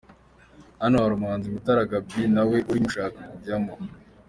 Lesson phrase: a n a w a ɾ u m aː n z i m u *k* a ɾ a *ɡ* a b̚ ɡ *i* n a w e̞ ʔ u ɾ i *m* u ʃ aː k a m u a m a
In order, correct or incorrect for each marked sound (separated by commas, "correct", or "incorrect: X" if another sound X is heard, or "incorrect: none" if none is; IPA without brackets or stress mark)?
incorrect: t, correct, correct, correct